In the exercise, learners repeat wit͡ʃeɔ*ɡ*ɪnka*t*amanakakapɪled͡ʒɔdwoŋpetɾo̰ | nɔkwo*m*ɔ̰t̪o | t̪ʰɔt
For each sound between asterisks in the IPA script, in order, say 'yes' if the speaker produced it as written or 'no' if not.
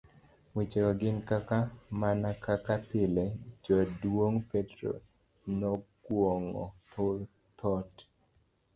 yes, no, no

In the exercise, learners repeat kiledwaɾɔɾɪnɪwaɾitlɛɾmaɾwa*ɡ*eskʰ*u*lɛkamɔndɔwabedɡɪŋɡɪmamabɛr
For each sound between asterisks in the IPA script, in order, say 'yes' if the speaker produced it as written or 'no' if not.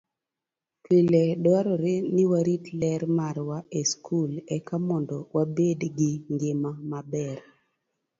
no, yes

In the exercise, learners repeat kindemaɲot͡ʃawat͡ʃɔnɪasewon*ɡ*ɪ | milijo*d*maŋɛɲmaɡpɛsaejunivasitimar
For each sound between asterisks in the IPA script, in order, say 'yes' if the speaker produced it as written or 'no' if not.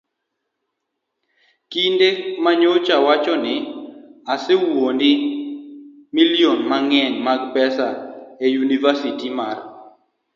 no, no

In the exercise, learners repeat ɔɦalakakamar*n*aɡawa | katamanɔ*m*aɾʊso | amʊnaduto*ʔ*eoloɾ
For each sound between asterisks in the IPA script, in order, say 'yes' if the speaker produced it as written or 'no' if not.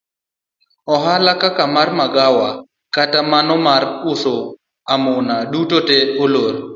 no, yes, no

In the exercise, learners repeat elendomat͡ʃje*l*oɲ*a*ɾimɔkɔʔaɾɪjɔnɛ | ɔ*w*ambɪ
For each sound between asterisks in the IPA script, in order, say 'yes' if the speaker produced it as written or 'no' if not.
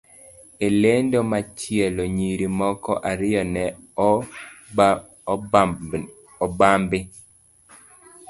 yes, no, no

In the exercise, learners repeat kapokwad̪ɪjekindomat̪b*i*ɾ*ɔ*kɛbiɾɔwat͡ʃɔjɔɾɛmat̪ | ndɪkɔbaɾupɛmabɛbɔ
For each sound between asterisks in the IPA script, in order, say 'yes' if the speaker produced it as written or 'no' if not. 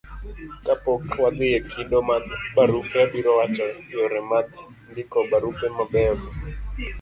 no, no

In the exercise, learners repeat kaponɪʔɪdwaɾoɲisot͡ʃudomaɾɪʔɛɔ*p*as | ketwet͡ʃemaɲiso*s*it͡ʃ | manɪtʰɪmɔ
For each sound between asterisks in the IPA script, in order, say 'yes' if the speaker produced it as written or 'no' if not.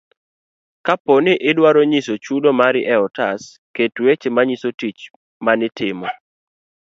no, no

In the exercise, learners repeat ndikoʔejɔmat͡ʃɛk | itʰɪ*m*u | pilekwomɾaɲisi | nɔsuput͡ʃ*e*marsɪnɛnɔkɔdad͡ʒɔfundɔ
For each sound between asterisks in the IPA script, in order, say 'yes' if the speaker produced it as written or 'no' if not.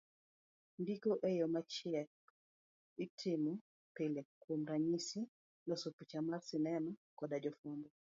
yes, no

